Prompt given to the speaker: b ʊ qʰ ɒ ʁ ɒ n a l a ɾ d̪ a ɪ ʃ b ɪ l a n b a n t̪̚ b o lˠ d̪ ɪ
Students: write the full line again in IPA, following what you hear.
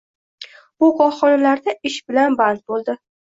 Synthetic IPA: b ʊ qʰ ɒ χ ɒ n a l a ɾ d̪ a ɪ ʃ b ɪ l a n b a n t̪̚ b o lˠ d̪ ɪ